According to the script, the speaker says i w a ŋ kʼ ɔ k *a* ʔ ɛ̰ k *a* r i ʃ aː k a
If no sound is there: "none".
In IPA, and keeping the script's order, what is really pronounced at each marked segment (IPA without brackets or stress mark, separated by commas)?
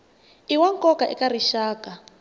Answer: a, a